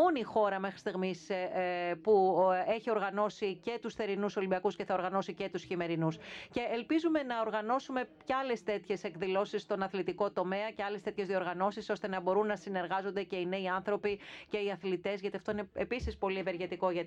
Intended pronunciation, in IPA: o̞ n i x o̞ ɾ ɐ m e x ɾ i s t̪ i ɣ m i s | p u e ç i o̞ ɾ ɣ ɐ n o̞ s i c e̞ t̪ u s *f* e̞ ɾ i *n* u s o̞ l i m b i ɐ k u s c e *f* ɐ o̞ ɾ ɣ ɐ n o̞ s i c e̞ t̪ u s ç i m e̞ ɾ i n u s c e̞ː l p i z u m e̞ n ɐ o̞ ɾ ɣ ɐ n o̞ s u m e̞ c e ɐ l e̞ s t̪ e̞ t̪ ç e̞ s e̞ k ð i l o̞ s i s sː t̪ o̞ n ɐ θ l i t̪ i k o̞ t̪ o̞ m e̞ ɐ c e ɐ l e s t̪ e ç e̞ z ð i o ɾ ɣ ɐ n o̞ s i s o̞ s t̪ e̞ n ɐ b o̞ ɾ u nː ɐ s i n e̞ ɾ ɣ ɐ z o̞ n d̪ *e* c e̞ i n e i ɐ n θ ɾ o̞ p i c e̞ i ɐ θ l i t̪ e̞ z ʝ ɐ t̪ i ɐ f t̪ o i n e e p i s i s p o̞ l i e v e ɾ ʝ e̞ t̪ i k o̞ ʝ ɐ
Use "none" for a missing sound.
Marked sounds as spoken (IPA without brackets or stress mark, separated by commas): θ, n, θ, e